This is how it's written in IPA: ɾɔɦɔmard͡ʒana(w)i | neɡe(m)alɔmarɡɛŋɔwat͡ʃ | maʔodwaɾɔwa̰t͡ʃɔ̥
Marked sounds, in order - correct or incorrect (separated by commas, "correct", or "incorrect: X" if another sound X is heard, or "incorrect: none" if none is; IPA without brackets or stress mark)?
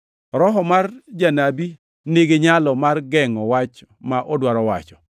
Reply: incorrect: b, incorrect: ɲ